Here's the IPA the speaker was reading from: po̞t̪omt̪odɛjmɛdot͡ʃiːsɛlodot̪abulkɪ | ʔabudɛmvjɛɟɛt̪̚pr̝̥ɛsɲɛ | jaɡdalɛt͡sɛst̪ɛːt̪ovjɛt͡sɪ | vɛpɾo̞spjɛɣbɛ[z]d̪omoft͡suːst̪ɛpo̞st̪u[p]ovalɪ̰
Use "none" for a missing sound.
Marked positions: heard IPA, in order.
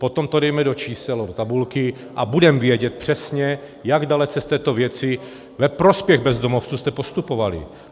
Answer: z, p

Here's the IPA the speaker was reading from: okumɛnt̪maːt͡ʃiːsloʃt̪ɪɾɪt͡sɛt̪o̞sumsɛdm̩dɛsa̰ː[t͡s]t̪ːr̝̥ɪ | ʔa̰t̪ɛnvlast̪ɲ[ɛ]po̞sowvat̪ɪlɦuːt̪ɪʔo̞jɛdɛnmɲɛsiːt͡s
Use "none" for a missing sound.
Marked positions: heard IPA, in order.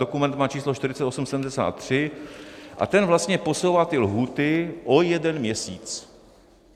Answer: none, ɛ

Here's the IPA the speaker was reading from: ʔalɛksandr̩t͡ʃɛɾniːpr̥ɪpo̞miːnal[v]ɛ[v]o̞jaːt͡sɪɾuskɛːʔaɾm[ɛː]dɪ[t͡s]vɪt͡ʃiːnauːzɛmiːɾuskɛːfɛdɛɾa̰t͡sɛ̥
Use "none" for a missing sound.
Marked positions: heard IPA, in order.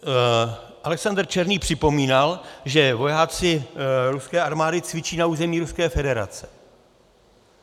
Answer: ʒ, v, aː, t͡s

